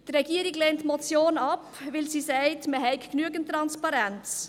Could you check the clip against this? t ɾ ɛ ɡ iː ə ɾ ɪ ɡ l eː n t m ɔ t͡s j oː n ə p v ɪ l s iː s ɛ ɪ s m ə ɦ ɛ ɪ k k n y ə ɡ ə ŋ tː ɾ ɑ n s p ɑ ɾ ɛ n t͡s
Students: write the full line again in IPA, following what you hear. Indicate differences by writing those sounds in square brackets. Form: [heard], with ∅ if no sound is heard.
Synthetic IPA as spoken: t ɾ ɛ ɡ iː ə ɾ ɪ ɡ l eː n t m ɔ t͡s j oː n [ɑ] p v ɪ l s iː s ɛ ɪ [t] m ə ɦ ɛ ɪ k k n y ə ɡ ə [n] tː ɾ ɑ n s p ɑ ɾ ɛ n t͡s